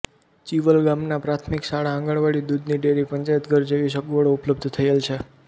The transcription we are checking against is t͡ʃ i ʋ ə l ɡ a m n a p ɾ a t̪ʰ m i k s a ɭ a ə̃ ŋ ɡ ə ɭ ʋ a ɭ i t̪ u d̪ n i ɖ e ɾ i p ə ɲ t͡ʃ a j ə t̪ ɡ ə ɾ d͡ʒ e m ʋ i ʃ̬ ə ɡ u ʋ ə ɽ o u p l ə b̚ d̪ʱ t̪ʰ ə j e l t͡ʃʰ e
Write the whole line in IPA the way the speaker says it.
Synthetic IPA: t͡ʃ i ʋ ə l ɡ a m n a p ɾ a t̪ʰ m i k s a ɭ a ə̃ ŋ ɡ ə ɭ ʋ a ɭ i d̪ u d̪ n i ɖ e ɾ i p ə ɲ t͡ʃ a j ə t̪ ɡ ə ɾ d͡ʒ e ʋ i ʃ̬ ə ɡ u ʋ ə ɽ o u p l ə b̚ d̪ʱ t̪ʰ ə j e l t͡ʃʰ e